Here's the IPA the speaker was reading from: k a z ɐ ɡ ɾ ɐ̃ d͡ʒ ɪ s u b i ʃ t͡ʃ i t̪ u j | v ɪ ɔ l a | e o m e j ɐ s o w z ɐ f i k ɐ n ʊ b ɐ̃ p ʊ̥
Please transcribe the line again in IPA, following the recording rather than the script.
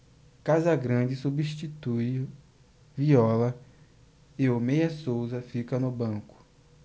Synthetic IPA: k a z ɐ ɡ ɾ ɐ̃ d͡ʒ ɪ s u b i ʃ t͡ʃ i t̪ u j | v i ɔ l ɐ | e o m e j ɐ s o w z ɐ f i k ɐ n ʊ b ɐ̃ k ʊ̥